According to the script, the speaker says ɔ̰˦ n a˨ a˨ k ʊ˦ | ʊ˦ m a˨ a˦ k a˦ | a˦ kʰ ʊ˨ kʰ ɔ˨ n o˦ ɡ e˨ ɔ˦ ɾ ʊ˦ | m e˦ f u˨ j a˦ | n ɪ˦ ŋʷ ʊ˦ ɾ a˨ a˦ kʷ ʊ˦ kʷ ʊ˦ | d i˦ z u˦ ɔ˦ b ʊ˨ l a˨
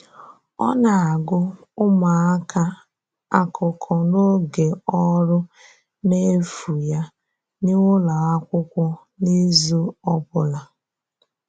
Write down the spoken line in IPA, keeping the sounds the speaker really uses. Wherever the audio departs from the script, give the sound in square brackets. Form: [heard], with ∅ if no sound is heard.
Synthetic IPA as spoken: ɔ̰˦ n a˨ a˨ [ɡ] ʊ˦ | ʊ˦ m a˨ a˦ k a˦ | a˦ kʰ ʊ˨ kʰ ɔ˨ n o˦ ɡ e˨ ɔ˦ ɾ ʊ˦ | [n] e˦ f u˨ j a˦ | n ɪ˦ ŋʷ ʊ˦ [l] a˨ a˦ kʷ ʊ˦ kʷ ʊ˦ | [n] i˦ z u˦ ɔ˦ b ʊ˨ l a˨